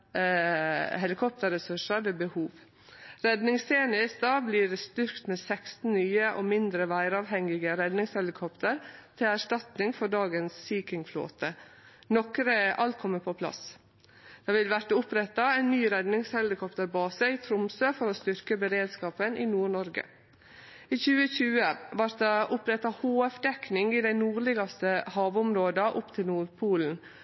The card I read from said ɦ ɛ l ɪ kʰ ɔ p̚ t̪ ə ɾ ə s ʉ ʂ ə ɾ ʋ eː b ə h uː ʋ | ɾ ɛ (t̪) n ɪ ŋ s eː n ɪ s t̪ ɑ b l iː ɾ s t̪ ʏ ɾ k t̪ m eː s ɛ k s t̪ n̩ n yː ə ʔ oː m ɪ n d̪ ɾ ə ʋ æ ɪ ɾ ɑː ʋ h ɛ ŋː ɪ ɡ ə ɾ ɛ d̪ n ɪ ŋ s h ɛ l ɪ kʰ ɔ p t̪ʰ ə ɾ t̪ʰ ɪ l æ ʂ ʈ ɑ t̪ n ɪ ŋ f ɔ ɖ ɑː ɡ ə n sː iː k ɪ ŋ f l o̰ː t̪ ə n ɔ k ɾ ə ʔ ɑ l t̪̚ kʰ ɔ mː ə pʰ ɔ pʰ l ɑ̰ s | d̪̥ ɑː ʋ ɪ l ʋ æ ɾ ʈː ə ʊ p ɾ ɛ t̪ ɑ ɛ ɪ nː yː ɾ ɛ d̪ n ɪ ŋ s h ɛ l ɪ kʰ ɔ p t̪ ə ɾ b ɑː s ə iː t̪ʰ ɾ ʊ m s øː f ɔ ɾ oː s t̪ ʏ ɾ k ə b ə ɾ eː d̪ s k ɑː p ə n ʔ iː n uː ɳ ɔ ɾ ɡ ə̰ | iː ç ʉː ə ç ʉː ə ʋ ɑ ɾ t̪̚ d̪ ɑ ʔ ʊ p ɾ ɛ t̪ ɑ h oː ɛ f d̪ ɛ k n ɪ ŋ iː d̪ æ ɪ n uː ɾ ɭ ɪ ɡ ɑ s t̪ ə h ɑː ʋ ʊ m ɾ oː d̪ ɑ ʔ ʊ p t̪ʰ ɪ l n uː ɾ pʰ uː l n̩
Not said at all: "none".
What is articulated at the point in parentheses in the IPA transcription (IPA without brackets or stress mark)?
d̪